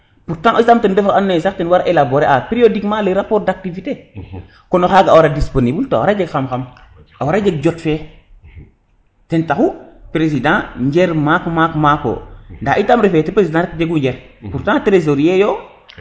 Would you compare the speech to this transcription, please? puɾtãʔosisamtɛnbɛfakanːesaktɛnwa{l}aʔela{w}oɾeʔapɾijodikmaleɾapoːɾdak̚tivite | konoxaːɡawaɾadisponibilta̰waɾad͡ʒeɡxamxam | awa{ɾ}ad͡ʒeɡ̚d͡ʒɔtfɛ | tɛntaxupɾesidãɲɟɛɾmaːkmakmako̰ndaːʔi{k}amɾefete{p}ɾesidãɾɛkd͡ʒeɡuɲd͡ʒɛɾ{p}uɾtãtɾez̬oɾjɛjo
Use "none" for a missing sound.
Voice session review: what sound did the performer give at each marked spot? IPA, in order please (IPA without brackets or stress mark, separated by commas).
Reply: ɾ, b, ɾ, t, p, p